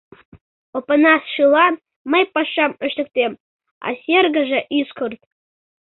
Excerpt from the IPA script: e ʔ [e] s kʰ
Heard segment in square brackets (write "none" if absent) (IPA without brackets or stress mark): i